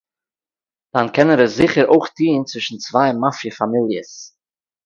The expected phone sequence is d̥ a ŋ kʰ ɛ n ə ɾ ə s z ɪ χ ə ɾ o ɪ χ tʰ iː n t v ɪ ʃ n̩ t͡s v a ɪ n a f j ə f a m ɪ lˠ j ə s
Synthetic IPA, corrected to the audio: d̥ a n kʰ ɛ n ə ɾ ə s z ɪ χ ə ɾ o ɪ χ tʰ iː n t͡s v ɪ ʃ n̩ t͡s v a ɪ m a f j ə f a m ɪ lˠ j ə s